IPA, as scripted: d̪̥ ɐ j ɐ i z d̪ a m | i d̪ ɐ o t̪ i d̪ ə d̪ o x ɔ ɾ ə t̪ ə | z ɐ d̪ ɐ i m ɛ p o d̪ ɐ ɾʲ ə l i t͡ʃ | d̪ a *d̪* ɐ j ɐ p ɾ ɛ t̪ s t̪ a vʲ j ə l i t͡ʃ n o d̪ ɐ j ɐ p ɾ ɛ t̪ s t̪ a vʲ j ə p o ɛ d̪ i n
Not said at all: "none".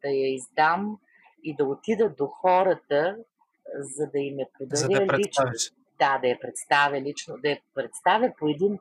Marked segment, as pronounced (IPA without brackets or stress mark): d̪